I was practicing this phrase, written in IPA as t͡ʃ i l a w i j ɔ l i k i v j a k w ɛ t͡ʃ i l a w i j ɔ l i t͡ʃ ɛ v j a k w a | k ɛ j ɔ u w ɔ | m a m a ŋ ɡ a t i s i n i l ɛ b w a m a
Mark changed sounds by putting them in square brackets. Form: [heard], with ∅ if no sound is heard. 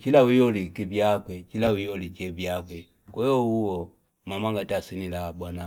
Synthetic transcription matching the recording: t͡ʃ i l a w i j ɔ l i k i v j a k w ɛ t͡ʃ i l a w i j ɔ l i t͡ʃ ɛ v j a k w [ɛ] | k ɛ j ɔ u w ɔ | m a m a ŋ ɡ a t [a] s i n i l [a] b w a [n] a